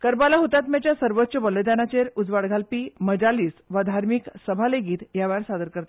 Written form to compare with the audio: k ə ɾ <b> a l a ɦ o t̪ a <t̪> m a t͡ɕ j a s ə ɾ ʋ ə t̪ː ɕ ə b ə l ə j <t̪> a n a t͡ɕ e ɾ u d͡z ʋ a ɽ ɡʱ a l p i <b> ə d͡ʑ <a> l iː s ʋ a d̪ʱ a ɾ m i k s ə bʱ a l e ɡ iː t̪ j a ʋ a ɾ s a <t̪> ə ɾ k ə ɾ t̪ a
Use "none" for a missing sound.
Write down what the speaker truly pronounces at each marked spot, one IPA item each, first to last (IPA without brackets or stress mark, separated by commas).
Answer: b, t̪, d̪, m, a, d̪